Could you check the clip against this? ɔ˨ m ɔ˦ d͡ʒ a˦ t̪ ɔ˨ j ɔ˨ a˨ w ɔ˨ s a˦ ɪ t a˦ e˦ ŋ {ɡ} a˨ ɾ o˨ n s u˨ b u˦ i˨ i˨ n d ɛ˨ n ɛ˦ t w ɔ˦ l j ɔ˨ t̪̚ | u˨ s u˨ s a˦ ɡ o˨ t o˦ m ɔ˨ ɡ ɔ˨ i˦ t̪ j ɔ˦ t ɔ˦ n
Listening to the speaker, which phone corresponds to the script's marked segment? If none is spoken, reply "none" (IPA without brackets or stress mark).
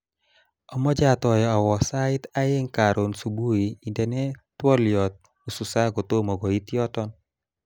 k